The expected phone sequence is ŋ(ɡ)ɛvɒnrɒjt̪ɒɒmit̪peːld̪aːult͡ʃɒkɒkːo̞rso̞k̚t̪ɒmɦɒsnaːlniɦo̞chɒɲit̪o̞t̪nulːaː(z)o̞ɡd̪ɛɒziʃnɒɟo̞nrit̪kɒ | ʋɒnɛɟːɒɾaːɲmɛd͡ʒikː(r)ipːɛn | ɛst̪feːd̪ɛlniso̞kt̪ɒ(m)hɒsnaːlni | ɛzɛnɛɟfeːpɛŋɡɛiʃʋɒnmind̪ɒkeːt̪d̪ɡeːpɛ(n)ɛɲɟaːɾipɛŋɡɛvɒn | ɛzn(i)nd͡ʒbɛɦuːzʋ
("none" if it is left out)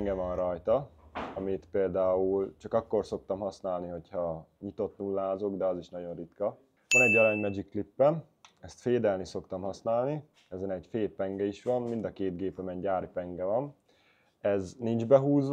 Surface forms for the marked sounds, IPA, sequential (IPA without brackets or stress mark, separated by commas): ɡ, z, l, m, m, i